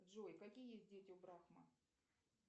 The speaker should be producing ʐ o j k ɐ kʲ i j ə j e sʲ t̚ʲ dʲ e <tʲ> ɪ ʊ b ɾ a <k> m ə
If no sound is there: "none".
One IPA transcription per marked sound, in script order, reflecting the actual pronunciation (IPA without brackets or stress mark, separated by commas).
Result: tʲ, x